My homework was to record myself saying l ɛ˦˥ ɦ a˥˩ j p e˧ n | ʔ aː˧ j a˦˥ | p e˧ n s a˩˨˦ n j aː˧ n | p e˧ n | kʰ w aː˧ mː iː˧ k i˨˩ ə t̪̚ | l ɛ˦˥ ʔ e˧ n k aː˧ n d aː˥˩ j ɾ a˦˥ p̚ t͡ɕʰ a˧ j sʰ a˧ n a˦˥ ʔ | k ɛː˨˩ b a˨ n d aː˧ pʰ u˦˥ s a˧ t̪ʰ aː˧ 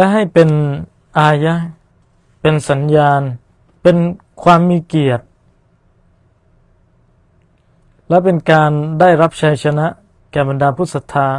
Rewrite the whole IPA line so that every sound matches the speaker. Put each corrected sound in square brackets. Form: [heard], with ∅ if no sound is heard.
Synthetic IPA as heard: l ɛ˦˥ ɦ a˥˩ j p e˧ n | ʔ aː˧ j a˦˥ | p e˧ n s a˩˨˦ n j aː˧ n | p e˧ n | kʰ w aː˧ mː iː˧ k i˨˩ ə t̪̚ | l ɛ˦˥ [p] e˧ n k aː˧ n d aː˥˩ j ɾ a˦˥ p̚ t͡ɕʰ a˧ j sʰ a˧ n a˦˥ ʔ | k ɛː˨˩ b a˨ n d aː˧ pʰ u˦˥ s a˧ t̪ʰ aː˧